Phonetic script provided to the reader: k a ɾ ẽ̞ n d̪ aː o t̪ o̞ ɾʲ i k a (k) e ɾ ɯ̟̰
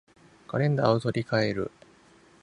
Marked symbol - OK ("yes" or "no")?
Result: no